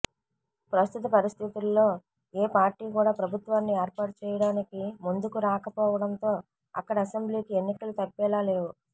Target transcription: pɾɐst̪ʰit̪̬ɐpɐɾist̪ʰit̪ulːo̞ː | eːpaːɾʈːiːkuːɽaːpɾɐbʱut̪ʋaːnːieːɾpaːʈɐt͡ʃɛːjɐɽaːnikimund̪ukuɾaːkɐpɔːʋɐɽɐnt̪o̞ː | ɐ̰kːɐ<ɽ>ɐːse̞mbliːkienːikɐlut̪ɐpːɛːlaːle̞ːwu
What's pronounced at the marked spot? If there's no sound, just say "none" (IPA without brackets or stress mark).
ɽ